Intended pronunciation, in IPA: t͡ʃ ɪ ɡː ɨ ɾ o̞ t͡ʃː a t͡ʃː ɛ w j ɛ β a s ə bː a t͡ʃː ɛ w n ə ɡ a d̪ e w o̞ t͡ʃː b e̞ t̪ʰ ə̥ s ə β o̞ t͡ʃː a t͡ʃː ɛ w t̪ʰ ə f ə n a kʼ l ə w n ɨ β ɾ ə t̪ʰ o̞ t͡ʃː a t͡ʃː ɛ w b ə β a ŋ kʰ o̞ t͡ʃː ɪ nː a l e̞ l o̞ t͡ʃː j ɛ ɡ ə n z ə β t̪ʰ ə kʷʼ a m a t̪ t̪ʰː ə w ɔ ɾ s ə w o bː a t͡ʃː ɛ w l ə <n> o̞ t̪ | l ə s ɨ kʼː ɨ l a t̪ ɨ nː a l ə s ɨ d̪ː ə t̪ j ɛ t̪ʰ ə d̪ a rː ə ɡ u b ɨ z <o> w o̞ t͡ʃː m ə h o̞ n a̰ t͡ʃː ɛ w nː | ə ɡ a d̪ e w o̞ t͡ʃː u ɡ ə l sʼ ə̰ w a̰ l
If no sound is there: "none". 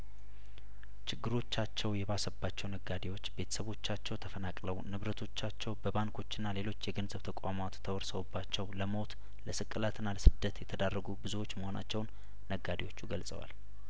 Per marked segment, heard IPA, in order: m, u

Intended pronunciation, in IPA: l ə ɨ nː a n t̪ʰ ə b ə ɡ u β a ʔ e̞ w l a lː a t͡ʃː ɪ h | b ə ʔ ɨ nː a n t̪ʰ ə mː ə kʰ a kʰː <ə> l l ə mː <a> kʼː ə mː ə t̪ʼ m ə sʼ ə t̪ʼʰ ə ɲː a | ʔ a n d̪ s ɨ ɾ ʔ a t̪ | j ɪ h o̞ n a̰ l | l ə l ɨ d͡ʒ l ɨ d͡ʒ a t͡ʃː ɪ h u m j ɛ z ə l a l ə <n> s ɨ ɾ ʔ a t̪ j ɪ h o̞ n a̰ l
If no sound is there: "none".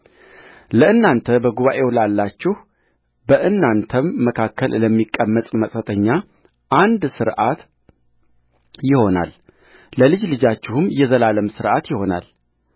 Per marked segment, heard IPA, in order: ə, i, m

